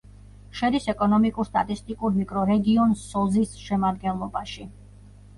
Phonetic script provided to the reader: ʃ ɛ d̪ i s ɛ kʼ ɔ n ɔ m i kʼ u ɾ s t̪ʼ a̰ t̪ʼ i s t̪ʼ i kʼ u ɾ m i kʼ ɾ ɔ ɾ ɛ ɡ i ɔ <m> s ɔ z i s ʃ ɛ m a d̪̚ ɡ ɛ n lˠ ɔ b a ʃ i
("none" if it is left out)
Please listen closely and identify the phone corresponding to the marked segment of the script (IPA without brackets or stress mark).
n